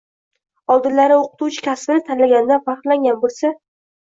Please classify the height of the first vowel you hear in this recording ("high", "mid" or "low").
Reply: low